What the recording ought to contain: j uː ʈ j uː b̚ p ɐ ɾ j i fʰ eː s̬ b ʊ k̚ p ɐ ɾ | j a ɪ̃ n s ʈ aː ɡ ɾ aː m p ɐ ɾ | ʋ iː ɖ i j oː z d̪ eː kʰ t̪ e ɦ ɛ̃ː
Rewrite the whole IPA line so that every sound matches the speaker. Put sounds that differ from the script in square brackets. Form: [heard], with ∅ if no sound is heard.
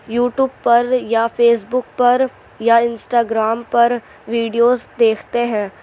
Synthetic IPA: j uː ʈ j uː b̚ p ɐ ɾ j [a] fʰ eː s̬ b ʊ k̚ p ɐ ɾ | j a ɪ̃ n s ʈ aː ɡ ɾ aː m p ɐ ɾ | ʋ iː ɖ i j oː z d̪ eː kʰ t̪ e ɦ ɛ̃ː

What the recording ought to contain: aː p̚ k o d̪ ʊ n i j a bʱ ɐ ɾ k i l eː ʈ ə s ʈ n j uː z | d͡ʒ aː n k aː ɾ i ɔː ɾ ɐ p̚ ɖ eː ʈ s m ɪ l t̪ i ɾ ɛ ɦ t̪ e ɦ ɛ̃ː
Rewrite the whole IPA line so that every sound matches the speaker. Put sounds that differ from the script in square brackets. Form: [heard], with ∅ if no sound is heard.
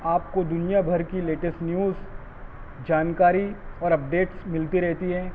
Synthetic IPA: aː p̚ k o d̪ ʊ n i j a bʱ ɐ ɾ k i l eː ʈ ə s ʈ n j uː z | d͡ʒ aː n k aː ɾ i ɔː ɾ ɐ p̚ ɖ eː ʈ s m ɪ l t̪ i ɾ ɛ ɦ t̪ [i] ɦ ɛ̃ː

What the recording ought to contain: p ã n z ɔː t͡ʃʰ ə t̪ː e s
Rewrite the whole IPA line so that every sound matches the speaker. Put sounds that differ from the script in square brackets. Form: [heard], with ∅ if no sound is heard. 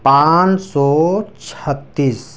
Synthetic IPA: p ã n [s] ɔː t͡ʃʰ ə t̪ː [i] s

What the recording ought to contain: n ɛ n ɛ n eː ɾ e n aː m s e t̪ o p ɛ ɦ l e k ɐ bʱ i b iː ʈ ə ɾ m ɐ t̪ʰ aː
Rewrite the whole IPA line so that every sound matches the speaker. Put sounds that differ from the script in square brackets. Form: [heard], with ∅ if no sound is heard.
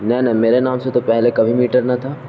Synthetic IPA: n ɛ n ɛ [m] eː ɾ e n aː m s e t̪ o p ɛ ɦ l e k ɐ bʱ i [m] iː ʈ ə ɾ [n] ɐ t̪ʰ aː

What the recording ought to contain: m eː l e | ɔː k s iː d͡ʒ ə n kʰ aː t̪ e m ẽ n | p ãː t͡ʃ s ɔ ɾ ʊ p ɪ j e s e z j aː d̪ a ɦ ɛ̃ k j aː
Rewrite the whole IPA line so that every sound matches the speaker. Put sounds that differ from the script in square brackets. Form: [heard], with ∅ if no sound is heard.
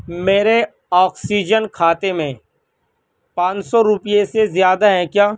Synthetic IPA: m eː [ɾ] e | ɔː k s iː d͡ʒ ə n kʰ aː t̪ e m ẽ [∅] | p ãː t͡ʃ s ɔ ɾ ʊ p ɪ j e s e z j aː d̪ a ɦ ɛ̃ k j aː

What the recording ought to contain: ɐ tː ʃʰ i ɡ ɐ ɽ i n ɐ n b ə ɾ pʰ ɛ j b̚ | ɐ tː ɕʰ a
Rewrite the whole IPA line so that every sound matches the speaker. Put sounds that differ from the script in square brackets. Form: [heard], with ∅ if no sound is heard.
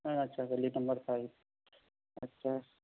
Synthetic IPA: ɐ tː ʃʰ [a] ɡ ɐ [l] i n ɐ [m] b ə ɾ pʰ [a] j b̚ | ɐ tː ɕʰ a

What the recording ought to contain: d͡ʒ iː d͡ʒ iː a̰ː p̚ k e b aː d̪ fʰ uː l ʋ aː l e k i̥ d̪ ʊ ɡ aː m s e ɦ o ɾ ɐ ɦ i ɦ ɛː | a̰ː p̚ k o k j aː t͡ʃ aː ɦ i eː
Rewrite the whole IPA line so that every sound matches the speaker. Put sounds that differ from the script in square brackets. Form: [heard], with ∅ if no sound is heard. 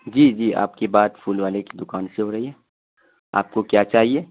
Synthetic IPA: d͡ʒ iː d͡ʒ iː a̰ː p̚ k e b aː d̪ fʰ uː l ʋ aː l e k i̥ d̪ ʊ [k] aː [n] s e ɦ o ɾ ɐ ɦ i ɦ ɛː | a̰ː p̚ k o k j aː t͡ʃ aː ɦ i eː

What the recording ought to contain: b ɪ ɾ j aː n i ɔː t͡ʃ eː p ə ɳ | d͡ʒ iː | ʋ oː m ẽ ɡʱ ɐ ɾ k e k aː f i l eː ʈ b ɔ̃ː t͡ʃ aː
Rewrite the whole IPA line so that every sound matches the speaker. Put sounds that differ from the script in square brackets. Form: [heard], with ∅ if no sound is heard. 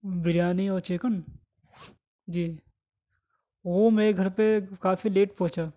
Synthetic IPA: b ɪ ɾ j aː n i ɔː t͡ʃ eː [k] ə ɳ | d͡ʒ iː | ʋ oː m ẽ ɡʱ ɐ ɾ [p] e k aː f i l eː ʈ [p] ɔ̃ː t͡ʃ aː

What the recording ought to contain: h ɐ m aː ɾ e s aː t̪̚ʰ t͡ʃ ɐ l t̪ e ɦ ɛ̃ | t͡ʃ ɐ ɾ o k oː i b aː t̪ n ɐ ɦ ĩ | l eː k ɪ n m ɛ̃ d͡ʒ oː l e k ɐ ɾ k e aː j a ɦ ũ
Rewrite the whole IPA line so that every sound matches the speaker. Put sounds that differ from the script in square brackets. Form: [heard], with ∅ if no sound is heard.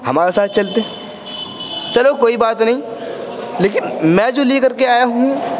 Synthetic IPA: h ɐ m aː ɾ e s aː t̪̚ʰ t͡ʃ ɐ l t̪ e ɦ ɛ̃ | t͡ʃ ɐ [l] o k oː i b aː t̪ n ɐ ɦ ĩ | l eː k ɪ n m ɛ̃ d͡ʒ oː l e k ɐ ɾ k e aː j a ɦ ũ

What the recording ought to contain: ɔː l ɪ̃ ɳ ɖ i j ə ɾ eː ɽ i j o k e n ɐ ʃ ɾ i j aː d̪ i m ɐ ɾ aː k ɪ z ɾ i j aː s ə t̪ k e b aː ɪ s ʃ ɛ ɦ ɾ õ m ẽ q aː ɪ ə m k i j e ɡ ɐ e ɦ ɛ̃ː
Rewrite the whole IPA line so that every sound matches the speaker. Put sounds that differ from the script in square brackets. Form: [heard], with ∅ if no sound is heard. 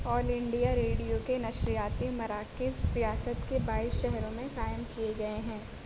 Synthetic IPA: ɔː l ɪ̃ ɳ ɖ i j [a] ɾ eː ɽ i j o k e n ɐ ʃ ɾ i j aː [t̪] i m ɐ ɾ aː k ɪ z ɾ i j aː s ə t̪ k e b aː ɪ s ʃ ɛ ɦ ɾ õ m ẽ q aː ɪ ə m k i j e ɡ ɐ e ɦ ɛ̃ː

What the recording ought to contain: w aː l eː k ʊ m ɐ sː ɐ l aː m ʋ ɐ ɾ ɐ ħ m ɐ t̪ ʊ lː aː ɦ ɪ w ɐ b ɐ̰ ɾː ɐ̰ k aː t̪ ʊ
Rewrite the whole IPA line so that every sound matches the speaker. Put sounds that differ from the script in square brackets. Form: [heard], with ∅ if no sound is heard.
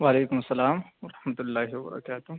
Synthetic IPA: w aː l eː k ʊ m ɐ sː ɐ l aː m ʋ ɐ ɾ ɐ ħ m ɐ t̪ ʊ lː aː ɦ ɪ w ɐ b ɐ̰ [ɾ] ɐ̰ k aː t̪ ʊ

